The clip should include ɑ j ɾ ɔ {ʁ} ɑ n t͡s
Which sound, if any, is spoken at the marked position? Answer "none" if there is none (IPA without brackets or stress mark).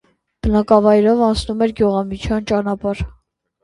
v